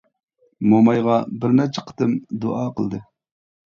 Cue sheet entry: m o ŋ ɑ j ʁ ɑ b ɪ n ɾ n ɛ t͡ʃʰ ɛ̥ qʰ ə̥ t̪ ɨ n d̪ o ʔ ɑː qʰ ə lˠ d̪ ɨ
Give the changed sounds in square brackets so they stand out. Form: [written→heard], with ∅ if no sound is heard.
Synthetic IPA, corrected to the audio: m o [ŋ→m] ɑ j ʁ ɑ b ɪ [n→∅] ɾ n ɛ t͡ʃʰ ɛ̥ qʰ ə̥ t̪ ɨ [n→m] d̪ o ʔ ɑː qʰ ə lˠ d̪ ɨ